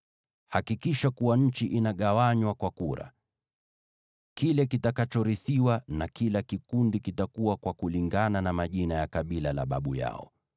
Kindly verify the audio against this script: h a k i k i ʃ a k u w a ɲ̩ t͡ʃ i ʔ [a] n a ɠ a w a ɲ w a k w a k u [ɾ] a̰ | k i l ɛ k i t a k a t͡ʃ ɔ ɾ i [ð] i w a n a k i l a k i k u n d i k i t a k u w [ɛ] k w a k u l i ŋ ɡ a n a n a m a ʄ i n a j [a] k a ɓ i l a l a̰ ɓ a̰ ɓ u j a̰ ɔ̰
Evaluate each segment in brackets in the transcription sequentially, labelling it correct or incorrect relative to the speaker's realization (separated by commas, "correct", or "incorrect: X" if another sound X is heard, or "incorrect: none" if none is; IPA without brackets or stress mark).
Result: incorrect: i, correct, incorrect: θ, incorrect: a, correct